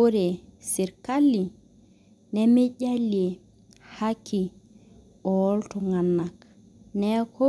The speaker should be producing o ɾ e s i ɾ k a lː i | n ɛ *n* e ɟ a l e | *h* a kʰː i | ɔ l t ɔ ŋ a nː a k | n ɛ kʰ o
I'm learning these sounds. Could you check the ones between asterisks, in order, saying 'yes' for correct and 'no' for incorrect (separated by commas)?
no, yes